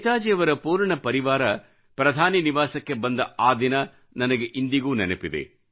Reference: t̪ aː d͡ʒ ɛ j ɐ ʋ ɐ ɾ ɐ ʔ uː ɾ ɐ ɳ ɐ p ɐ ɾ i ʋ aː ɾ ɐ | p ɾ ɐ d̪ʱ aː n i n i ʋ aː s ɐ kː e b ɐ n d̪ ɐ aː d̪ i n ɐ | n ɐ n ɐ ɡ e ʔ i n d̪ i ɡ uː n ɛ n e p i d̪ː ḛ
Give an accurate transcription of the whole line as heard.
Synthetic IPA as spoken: t̪ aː d͡ʒ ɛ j ɐ ʋ ɐ ɾ ɐ p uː ɾ ɐ ɳ ɐ p ɐ ɾ i ʋ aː ɾ ɐ | p ɾ ɐ d̪ʱ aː n i n i ʋ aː s ɐ kː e b ɐ n d̪ ɐ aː d̪ i n ɐ | n ɐ n ɐ ɡ e ʔ i n d̪ i ɡ uː n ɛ n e p i d̪ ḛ